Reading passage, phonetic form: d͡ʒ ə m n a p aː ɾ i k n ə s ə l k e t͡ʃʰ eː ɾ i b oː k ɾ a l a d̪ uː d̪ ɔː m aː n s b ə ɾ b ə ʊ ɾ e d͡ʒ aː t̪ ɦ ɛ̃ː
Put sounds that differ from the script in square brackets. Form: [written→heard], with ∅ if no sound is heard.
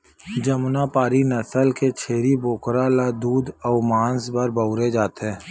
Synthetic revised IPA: d͡ʒ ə m n a p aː ɾ i [k→∅] n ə s ə l k e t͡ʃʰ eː ɾ i b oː k ɾ a l a d̪ uː d̪ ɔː m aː n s b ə ɾ b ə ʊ ɾ e d͡ʒ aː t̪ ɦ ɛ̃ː

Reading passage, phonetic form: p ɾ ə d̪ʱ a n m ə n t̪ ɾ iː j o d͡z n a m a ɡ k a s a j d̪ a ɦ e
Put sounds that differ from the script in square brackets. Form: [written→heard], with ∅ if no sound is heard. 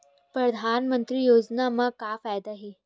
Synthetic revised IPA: p ɾ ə d̪ʱ a n m ə n t̪ ɾ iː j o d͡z n a m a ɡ k a [s→f] a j d̪ a ɦ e

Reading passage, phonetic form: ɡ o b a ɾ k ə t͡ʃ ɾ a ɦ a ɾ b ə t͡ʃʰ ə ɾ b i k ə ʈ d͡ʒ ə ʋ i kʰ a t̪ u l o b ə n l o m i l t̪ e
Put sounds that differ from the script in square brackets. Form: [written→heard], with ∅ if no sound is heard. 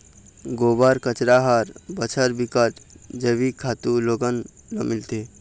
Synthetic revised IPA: ɡ o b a ɾ k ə t͡ʃ ɾ a ɦ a ɾ b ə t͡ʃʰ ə ɾ b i k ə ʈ d͡ʒ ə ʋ i kʰ a t̪ u l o [b→ɡ] ə n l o m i l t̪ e

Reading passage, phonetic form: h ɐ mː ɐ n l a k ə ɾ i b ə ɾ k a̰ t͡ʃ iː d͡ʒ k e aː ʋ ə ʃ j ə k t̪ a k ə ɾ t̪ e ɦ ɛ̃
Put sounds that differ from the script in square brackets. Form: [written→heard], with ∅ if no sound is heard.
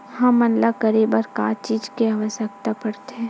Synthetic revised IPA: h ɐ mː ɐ n l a k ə ɾ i b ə ɾ k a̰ t͡ʃ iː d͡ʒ k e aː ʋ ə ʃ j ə k t̪ a [k→p] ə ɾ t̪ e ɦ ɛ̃

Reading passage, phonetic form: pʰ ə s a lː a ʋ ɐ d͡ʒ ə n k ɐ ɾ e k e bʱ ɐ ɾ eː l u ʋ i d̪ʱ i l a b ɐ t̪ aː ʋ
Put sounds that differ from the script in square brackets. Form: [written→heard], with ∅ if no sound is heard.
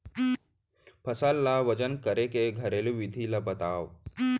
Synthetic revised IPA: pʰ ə s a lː a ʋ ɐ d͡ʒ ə n k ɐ ɾ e k e [bʱ→ɡʱ] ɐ ɾ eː l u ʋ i d̪ʱ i l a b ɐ t̪ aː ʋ

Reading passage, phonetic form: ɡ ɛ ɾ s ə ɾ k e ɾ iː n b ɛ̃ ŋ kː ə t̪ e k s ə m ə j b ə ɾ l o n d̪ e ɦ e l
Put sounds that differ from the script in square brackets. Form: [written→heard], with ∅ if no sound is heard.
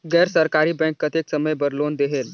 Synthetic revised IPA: ɡ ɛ ɾ s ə ɾ k [e→a] ɾ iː [n→∅] b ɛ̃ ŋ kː ə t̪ e k s ə m ə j b ə ɾ l o n d̪ e ɦ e l

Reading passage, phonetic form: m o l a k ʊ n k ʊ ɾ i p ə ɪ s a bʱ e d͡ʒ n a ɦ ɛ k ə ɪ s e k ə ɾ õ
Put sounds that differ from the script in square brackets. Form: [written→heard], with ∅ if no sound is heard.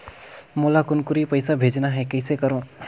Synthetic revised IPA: m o l a k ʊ n k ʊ ɾ i p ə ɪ s a bʱ e d͡ʒ n a ɦ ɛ k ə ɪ s e k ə ɾ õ

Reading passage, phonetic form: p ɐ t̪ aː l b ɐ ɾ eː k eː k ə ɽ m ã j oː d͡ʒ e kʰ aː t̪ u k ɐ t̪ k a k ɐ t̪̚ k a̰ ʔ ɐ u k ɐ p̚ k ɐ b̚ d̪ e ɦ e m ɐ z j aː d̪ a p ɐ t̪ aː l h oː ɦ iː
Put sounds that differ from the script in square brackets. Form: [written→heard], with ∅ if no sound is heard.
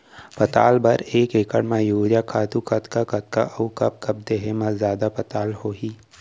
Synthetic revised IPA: p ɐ t̪ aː l b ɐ ɾ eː k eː k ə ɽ m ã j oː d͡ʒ [e→a] kʰ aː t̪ u k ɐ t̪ k a k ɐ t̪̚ k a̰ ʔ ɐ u k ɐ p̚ k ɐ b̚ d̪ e ɦ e m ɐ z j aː d̪ a p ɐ t̪ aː l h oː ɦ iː

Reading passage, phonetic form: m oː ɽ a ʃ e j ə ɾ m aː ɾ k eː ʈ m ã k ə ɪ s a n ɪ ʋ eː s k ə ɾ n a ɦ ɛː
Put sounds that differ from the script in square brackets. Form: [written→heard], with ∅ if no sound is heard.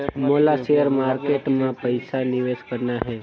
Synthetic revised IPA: m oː [ɽ→l] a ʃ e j ə ɾ m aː ɾ k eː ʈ m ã [k→p] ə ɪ s a n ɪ ʋ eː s k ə ɾ n a ɦ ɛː

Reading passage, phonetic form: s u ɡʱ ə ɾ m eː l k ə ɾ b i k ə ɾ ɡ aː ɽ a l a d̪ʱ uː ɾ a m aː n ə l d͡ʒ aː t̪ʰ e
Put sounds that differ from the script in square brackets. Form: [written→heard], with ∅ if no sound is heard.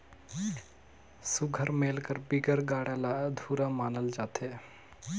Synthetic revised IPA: s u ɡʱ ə ɾ m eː l k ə ɾ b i [k→ɡ] ə ɾ ɡ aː ɽ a l a d̪ʱ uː ɾ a m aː n ə l d͡ʒ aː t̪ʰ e

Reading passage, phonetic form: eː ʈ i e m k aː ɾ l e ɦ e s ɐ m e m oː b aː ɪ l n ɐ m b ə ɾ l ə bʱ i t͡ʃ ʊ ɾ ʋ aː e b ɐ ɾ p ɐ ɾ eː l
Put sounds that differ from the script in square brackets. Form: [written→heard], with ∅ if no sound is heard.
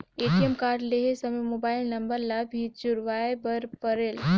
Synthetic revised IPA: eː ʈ i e m k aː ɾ l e ɦ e s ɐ m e m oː b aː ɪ l n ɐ m b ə ɾ l [ə→a] bʱ i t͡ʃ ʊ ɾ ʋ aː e b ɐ ɾ p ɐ ɾ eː l

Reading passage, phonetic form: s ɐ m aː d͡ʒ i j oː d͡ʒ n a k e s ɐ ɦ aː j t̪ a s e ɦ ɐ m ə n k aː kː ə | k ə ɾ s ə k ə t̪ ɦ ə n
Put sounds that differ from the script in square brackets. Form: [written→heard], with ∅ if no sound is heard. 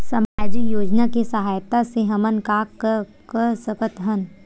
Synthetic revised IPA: s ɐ m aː d͡ʒ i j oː d͡ʒ n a k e s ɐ ɦ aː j t̪ a s e ɦ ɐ m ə n k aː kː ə | k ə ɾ s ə k ə t̪ ɦ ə n

